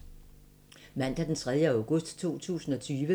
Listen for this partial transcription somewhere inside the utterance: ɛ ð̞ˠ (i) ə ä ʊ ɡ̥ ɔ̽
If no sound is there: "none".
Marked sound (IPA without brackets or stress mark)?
j